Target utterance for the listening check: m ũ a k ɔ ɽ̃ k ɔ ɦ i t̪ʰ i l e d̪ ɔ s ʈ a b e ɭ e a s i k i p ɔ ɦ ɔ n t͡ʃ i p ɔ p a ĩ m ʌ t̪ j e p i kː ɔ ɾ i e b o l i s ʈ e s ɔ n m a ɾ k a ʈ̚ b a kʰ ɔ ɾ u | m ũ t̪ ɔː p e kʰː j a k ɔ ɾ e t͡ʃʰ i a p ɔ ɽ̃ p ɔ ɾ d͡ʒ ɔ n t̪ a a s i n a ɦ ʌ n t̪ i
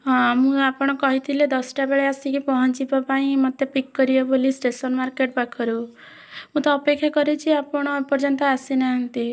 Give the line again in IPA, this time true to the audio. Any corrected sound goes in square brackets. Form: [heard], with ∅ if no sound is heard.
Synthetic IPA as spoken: m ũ a [p] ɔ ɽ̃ k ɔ ɦ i t̪ʰ i l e d̪ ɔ s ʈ a b e ɭ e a s i k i p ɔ ɦ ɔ n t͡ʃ i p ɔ p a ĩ m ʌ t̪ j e p i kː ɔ ɾ i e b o l i s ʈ e s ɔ n m a ɾ k [e] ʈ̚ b a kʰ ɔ ɾ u | m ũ t̪ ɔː p e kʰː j a k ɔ ɾ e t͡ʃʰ i a p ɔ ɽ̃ p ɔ ɾ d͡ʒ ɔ n t̪ a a s i n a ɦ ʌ n t̪ i